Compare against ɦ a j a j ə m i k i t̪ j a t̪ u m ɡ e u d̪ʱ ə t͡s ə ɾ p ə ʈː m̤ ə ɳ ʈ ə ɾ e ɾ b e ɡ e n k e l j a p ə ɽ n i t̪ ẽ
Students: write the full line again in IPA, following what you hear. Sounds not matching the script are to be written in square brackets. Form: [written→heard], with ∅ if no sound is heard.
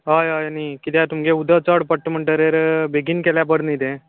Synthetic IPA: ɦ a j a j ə [m→n] i k i t̪ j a t̪ u m ɡ e u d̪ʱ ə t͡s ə [ɾ→ɽ] p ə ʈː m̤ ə ɳ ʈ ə ɾ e ɾ b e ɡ [e→i] n k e l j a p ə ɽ n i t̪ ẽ